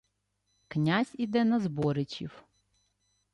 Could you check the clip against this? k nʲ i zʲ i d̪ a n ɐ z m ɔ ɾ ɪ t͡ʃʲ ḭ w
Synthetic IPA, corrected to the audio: k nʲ a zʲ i d̪ ɛ n ɐ z b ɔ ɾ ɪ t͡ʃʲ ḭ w

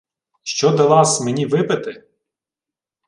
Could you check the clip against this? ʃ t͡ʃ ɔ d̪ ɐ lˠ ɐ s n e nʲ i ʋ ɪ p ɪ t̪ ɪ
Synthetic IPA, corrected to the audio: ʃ t͡ʃ ɔ d̪ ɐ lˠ ɑ s m e nʲ i ʋ ɪ p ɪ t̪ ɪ

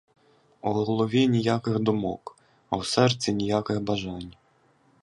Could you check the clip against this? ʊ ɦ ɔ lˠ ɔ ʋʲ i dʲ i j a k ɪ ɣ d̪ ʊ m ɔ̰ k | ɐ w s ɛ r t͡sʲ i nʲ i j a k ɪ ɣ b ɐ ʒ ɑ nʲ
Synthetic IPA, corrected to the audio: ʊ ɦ ɔ lˠ ɔ ʋʲ i nʲ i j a k ɪ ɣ d̪ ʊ m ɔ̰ k | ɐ w s ɛ r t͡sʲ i nʲ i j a k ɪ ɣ b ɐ ʒ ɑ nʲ

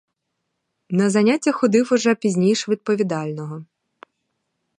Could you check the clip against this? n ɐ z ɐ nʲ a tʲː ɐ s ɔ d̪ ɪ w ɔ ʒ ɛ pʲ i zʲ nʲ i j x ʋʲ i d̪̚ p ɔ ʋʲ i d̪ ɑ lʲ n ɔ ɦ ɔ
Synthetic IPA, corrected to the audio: n ɐ z ɐ nʲ a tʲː ɐ x ɔ d̪ ɪ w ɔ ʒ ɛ pʲ i zʲ nʲ i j ʃ ʋʲ i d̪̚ p ɔ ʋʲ i d̪ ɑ lʲ n ɔ ɦ ɔ

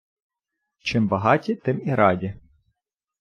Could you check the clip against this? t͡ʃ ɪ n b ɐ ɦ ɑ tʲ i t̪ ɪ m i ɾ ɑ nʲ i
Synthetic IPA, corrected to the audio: t͡ʃ ɪ m b ɐ ɦ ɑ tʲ i t̪ ɪ m i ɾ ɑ dʲ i

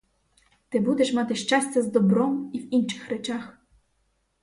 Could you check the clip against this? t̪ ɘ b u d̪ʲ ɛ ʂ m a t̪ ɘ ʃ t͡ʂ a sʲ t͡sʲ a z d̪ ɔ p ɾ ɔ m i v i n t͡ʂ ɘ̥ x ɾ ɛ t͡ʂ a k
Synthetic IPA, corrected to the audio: t̪ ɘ b u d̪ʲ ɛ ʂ m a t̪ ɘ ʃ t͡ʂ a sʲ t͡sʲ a z d̪ ɔ b ɾ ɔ m i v i n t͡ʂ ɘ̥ x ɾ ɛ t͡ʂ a x

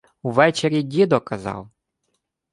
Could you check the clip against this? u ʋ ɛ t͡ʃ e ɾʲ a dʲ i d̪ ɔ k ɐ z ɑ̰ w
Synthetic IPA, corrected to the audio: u ʋ ɛ t͡ʃ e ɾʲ i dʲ i d̪ ɔ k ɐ z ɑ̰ w

